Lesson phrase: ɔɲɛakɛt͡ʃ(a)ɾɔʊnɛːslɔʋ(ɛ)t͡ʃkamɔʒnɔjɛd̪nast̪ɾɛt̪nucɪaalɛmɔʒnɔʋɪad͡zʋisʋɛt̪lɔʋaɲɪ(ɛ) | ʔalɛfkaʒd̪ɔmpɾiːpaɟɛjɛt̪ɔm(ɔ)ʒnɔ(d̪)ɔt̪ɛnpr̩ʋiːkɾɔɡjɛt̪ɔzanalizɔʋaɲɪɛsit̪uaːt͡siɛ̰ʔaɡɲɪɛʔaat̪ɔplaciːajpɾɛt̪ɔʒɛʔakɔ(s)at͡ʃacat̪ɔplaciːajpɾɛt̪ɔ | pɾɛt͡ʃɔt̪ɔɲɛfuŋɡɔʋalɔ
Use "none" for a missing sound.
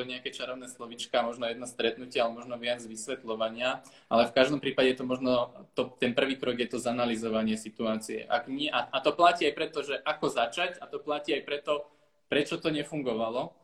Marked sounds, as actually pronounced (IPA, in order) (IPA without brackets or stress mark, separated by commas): a, i, a, ɔ, t̪, z